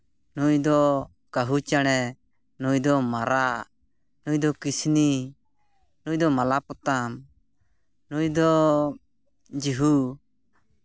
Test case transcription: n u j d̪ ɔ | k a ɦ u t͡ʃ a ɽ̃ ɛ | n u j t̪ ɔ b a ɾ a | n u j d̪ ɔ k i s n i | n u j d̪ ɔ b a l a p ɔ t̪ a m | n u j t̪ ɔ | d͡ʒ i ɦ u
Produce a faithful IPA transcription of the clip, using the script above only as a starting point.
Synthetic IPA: n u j d̪ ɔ | k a ɦ u t͡ʃ a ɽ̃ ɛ | n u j d̪ ɔ m a ɾ a | n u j d̪ ɔ k i s n i | n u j d̪ ɔ m a l a p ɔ t̪ a m | n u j d̪ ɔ | d͡ʒ i ɦ u